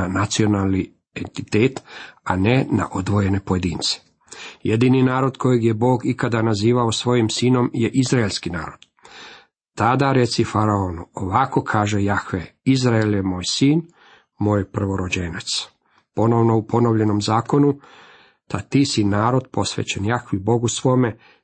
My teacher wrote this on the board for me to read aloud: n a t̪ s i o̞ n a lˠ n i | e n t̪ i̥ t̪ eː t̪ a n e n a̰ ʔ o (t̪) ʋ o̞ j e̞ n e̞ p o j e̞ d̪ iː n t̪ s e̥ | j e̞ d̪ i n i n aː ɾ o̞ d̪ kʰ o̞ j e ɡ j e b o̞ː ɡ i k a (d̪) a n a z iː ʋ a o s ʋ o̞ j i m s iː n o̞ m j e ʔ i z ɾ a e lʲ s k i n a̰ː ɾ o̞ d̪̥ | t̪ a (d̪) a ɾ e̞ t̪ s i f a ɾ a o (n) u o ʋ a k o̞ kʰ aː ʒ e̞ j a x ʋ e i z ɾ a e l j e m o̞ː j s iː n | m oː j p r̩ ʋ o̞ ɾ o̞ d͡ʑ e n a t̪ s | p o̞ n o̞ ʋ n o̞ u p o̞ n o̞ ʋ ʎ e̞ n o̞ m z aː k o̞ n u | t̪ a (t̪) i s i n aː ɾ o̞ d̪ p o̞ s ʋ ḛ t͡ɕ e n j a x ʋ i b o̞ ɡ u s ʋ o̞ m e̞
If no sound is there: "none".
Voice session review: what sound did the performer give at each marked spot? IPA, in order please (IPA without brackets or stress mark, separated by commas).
d̪, d̪, d̪, n, t̪